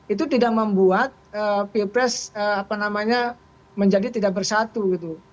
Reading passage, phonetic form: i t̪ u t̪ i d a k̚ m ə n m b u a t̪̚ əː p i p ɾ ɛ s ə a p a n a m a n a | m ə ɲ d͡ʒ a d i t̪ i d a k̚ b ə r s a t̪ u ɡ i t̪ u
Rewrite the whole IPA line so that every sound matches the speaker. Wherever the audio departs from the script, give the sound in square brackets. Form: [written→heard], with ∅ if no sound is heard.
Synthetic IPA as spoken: i t̪ u t̪ i d a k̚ m ə [n→∅] m b u a t̪̚ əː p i p ɾ ɛ s ə a p a n a m a [n→ɲ] a | m ə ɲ d͡ʒ a d i t̪ i d a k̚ b ə r s a t̪ u ɡ i t̪ u